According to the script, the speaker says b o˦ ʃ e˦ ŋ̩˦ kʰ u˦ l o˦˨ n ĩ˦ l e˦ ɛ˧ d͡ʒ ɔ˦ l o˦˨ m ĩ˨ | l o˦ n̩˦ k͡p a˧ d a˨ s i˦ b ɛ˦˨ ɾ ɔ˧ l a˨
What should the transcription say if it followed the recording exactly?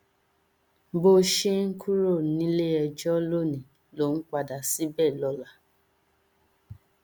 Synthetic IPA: b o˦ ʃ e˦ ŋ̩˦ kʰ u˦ ɾ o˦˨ n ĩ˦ l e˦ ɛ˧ d͡ʒ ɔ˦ l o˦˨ n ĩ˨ | l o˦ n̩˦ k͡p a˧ d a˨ s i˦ b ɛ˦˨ l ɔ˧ l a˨

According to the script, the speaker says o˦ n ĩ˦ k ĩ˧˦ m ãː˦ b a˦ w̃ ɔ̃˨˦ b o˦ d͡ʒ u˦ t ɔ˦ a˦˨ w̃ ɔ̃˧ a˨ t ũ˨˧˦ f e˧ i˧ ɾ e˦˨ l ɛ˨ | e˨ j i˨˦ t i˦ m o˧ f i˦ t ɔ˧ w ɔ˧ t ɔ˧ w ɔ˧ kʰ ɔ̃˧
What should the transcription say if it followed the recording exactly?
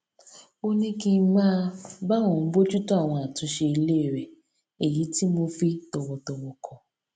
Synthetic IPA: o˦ n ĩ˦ k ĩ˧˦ m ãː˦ b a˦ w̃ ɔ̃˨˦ b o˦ d͡ʒ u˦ t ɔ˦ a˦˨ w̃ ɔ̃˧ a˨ t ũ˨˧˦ ʃ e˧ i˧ l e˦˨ ɾ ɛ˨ | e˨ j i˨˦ t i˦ m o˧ f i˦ t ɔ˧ w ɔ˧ t ɔ˧ w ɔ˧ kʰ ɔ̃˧

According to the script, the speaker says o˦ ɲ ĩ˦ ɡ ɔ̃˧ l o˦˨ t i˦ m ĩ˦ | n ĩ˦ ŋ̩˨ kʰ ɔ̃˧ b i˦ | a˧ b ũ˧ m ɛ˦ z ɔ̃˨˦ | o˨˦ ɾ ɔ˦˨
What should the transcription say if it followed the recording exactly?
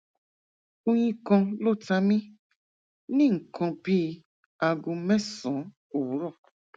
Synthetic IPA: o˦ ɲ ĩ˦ k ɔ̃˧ l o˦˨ t a˦ m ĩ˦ | n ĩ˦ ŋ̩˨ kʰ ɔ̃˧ b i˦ | a˧ ɡ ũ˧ m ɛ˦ s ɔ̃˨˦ | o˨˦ ɾ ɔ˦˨

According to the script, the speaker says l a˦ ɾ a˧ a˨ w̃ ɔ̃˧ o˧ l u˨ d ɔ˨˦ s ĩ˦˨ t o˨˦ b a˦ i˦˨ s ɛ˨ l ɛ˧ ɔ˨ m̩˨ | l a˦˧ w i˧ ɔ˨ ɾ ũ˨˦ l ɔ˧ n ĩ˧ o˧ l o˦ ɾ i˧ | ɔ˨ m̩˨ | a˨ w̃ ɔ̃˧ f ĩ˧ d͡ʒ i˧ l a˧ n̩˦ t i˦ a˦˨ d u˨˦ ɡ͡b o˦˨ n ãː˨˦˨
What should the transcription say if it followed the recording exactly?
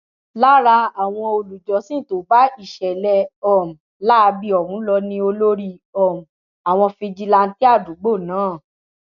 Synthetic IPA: l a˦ ɾ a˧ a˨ w̃ ɔ̃˧ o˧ l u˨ d͡ʒ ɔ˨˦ s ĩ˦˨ t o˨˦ b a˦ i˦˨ ʃ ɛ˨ l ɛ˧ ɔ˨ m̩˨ | l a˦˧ b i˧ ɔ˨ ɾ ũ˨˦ l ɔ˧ n ĩ˧ o˧ l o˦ ɾ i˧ | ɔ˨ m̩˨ | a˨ w̃ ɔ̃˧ f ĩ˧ d͡ʒ i˧ l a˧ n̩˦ t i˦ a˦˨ d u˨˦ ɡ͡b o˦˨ n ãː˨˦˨

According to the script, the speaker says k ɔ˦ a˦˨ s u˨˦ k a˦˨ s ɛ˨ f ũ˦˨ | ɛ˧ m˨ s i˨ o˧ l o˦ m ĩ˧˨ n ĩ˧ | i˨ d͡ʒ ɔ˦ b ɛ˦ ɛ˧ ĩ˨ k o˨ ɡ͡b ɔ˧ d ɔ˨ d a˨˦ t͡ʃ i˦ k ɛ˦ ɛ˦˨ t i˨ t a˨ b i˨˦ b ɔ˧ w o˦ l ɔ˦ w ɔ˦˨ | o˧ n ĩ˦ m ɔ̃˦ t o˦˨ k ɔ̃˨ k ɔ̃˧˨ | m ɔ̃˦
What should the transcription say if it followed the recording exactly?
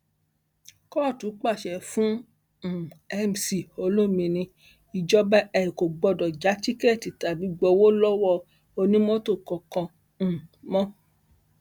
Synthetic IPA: k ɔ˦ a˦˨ t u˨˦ k͡p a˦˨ ʃ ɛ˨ f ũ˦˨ | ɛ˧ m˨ s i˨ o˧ l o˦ m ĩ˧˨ n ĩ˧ | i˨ d͡ʒ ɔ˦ b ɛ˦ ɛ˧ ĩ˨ k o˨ ɡ͡b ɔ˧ d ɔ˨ d͡ʒ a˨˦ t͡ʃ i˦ k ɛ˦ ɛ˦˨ t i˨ t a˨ b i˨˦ ɡ͡b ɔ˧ w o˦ l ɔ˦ w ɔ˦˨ | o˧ n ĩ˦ m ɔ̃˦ t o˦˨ k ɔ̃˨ k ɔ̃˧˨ | m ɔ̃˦

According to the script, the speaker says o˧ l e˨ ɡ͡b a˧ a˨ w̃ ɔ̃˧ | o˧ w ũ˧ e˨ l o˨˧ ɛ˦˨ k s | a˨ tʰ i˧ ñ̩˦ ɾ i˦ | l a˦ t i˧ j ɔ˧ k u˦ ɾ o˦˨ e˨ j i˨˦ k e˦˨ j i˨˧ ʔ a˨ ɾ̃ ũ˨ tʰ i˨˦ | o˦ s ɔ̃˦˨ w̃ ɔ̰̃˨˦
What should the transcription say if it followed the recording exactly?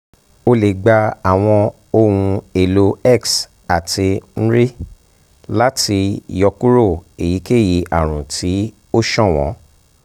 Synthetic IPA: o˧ l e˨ ɡ͡b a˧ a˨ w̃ ɔ̃˧ | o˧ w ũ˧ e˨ l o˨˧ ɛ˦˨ k s | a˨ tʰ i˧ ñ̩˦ ɾ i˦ | l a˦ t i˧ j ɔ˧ k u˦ ɾ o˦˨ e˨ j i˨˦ k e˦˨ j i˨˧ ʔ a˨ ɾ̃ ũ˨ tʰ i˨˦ | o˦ ʃ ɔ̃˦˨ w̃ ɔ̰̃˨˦

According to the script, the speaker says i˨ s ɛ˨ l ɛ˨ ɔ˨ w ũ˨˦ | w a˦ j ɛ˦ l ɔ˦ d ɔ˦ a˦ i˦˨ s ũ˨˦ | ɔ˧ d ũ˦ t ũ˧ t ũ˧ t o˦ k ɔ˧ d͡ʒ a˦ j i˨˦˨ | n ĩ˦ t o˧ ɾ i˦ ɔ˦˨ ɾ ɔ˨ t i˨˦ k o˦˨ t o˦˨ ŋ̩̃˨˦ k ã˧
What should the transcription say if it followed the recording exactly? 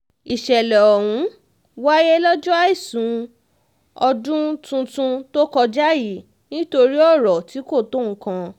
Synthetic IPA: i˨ ʃ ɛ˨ l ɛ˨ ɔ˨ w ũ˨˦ | w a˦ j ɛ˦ l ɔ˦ d͡ʒ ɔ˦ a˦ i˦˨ s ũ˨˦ | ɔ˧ d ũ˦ t ũ˧ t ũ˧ t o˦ k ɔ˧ d͡ʒ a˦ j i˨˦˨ | n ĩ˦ t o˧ ɾ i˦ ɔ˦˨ ɾ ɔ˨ t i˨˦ k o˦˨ t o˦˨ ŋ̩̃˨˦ k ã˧

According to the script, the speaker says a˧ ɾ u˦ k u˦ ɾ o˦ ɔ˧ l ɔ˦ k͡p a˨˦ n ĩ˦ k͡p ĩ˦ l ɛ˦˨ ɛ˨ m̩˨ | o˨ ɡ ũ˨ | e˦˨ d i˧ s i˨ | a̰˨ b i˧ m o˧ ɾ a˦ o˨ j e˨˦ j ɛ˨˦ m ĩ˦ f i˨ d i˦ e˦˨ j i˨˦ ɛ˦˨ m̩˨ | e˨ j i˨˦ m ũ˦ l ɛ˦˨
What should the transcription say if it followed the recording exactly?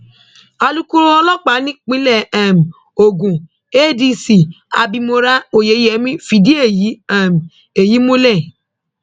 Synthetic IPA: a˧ l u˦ k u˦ ɾ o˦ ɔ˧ l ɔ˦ k͡p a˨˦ n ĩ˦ k͡p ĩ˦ l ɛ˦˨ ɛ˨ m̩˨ | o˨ ɡ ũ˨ | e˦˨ d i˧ s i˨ | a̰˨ b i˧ m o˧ ɾ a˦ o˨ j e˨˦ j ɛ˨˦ m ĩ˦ f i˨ d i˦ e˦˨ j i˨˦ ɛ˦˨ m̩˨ | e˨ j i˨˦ m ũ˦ l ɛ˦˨

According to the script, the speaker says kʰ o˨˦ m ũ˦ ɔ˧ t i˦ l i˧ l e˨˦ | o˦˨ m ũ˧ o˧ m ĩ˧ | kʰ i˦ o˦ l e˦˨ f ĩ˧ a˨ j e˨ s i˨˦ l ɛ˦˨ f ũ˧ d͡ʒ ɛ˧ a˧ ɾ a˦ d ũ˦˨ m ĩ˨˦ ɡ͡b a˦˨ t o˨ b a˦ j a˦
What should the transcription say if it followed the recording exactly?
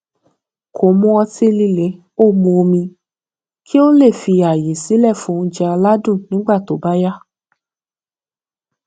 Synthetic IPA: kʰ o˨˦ m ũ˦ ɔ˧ t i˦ l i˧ l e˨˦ | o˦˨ m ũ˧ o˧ m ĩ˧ | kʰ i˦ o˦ l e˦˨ f i˧ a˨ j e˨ s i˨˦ l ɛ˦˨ f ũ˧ d͡ʒ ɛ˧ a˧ l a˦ d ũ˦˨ n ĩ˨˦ ɡ͡b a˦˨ t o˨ b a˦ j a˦

